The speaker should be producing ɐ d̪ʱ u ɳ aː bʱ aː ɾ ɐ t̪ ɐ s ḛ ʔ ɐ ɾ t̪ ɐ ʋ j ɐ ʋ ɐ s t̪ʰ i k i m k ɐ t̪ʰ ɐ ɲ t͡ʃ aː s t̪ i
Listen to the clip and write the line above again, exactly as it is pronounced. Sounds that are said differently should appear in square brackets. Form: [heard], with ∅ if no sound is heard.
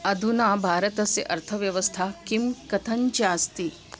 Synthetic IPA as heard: ɐ d̪ʱ u [n] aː bʱ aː ɾ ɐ t̪ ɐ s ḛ ʔ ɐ ɾ [t̪ʰ] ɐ ʋ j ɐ ʋ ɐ s t̪ʰ [a] k i m k ɐ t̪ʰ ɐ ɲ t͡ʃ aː s t̪ i